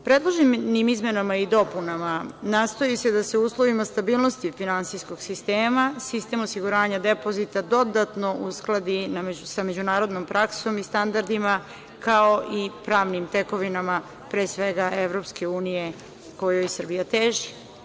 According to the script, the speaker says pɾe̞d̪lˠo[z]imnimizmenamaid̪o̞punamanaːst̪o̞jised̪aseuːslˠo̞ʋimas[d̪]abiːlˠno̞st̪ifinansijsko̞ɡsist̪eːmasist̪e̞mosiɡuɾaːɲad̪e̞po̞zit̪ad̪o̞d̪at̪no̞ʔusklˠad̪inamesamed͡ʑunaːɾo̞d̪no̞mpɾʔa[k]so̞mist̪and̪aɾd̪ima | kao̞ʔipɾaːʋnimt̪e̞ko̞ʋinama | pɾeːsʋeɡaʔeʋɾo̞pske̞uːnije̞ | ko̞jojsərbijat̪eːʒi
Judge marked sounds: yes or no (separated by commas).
no, no, yes